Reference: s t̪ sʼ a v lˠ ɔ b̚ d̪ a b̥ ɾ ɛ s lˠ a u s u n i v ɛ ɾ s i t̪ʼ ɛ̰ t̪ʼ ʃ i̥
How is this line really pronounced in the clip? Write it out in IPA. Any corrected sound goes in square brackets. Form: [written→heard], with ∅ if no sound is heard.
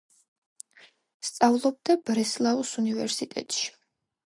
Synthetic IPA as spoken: s t̪ sʼ a v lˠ ɔ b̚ d̪ a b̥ ɾ ɛ s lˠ a u s u n i v ɛ ɾ s i t̪ʼ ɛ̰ t̪ʼ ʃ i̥